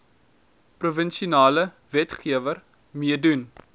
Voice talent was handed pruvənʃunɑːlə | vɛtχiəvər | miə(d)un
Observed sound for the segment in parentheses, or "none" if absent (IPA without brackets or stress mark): d